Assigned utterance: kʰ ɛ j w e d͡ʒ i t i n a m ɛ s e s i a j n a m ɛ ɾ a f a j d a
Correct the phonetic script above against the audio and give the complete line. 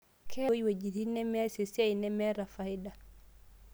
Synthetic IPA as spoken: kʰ ɛ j w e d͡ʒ i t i n ɛ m ɛ s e s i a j n ɛ m ɛ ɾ a f a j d a